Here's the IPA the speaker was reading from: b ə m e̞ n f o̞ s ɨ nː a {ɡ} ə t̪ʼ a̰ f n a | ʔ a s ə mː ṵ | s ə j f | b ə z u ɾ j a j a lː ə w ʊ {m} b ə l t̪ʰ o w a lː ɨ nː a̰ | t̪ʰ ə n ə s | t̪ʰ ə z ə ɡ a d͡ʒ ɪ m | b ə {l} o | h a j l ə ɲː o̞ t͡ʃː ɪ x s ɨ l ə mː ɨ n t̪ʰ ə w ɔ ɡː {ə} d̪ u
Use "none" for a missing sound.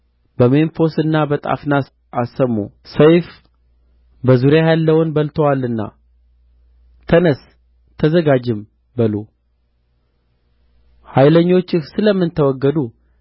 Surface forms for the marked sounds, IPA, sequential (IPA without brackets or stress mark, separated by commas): b, n, l, ə